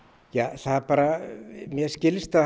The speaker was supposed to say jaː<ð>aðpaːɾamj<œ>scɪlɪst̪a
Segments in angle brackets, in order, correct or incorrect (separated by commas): incorrect, incorrect